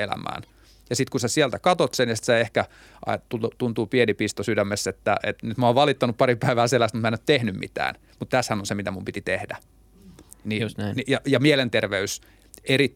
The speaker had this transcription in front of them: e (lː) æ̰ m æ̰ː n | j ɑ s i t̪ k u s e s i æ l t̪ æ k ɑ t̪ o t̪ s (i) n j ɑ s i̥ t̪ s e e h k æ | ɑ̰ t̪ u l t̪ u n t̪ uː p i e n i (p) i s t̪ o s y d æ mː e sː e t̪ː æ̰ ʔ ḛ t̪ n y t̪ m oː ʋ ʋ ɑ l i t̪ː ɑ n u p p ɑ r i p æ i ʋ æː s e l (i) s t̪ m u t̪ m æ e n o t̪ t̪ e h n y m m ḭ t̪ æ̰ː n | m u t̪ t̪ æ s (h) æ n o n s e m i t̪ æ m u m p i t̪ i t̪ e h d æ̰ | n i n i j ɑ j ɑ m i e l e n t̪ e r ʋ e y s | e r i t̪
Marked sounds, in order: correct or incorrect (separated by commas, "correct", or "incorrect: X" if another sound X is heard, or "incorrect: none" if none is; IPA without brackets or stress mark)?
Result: incorrect: l, incorrect: e, correct, incorrect: æ, correct